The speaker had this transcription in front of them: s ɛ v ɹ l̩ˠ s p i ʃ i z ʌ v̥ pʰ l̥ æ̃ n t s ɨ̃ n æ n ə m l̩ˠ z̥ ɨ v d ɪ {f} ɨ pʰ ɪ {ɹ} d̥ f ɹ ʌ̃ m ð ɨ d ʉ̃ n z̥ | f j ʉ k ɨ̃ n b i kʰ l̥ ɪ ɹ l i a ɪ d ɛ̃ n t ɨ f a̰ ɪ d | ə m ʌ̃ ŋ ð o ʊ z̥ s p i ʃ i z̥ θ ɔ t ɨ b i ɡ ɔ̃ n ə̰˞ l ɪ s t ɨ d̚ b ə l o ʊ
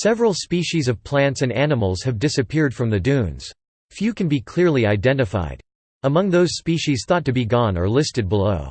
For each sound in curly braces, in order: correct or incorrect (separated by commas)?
incorrect, correct